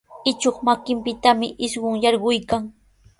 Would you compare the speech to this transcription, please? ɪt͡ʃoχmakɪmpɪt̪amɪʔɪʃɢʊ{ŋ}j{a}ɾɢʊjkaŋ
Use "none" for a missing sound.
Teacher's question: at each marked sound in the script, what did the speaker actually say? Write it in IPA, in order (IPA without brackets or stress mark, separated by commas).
ŋ, ɑ